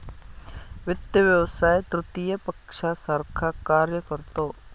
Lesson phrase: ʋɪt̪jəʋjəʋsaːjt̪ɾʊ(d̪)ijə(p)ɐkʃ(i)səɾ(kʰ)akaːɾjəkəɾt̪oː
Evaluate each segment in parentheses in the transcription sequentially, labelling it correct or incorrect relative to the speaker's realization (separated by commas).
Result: incorrect, correct, incorrect, correct